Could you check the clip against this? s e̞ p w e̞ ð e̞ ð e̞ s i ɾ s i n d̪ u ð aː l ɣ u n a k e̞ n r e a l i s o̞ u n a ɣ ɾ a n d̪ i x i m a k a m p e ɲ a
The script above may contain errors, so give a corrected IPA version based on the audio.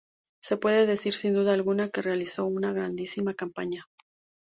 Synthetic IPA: s e̞ p w e̞ ð e̞ ð e̞ s i ɾ s i n d̪ u ð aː l ɣ u n a k e̞ r e a l i s o̞ u n a ɣ ɾ a n d̪ i s i m a k a m p a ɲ a